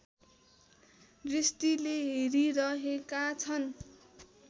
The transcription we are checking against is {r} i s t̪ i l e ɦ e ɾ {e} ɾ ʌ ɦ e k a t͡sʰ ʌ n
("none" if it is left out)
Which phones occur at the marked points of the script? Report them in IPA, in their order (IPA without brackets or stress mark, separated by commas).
r, i